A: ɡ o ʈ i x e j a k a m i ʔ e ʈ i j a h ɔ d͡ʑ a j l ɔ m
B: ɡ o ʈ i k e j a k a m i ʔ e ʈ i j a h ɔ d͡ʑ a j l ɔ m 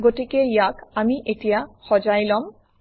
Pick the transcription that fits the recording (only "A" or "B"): B